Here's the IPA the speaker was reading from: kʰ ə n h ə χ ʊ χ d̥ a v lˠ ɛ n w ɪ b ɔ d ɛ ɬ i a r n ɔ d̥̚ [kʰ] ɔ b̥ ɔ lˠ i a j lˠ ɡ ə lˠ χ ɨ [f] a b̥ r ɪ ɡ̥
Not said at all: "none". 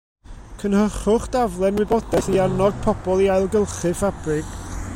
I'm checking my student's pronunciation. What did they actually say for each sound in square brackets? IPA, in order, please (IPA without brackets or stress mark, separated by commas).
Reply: pʰ, f